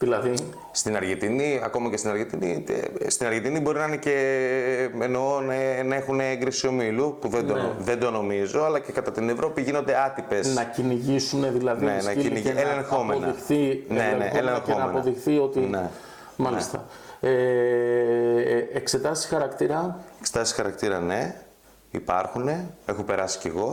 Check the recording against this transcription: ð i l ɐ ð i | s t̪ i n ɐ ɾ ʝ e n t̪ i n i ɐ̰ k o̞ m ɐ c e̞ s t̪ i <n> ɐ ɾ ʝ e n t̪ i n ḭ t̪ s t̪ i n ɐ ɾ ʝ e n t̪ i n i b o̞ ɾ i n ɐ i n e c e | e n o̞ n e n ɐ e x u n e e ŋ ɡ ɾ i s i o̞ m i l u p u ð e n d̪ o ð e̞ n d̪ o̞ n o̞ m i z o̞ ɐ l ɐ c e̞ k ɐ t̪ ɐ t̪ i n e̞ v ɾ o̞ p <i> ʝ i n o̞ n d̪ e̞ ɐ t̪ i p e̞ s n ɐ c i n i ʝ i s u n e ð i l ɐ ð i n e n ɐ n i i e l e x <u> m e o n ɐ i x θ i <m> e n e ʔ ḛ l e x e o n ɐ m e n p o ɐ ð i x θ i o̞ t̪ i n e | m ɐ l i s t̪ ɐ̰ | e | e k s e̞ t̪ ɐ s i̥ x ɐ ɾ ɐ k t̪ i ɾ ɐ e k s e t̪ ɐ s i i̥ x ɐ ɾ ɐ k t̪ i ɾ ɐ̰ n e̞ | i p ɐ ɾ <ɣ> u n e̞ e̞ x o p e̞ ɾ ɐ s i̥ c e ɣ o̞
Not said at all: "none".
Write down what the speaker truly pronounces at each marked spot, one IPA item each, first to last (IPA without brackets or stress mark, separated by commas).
n, i, o, n, x